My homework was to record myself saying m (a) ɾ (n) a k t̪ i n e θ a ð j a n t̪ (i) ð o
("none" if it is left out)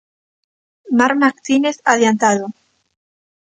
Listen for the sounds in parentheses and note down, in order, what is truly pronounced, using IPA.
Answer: a, m, a

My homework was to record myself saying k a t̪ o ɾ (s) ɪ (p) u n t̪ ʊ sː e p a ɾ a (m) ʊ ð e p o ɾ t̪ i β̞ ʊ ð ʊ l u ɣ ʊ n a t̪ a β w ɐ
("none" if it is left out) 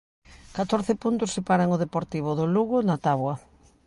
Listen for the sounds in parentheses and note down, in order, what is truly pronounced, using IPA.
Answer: θ, p, ŋ

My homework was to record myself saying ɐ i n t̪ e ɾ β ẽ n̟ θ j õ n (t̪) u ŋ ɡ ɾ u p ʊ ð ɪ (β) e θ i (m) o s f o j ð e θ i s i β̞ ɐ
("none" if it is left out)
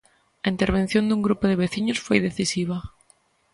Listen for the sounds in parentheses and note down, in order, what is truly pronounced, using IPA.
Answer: d̪, β, ɲ

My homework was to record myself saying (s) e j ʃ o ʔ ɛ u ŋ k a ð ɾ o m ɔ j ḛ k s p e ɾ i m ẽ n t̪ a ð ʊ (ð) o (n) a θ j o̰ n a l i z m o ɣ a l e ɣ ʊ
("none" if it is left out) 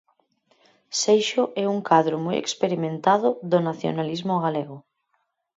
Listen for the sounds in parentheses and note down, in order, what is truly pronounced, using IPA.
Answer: s, ð, n

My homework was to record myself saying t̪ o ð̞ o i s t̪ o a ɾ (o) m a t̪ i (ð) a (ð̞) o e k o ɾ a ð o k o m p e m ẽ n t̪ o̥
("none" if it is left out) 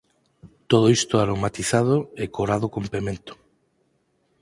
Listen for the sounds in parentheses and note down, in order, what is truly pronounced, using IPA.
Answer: o, θ, ð̞

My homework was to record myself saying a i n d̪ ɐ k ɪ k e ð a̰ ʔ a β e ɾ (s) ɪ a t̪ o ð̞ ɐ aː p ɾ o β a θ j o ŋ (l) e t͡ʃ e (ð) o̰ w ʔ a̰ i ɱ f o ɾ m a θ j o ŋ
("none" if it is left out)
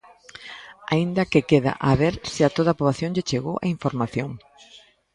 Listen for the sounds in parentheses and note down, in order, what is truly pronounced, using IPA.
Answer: s, ʎ, ɣ

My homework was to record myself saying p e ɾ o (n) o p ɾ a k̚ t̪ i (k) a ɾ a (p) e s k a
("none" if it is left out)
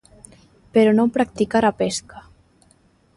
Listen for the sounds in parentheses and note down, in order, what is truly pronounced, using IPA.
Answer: n, k, p

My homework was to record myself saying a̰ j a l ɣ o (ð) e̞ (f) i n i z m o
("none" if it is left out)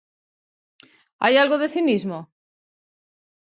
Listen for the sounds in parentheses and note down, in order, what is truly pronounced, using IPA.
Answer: ð, θ

